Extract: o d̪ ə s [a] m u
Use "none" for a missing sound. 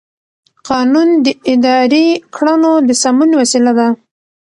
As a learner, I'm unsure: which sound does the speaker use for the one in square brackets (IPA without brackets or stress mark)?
a